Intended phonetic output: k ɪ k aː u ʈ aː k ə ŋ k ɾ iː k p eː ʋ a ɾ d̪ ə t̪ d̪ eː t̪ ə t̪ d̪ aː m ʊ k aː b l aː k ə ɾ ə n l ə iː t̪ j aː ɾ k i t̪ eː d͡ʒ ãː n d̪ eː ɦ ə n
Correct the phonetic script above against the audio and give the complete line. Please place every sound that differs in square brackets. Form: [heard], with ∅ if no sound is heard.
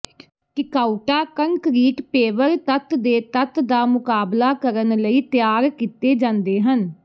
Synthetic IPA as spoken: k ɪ k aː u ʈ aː k ə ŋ k ɾ iː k p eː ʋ [ə] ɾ [t̪] ə t̪ d̪ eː t̪ ə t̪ d̪ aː m ʊ k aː b l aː k ə ɾ ə n l ə iː t̪ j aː ɾ k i t̪ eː d͡ʒ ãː n d̪ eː ɦ ə n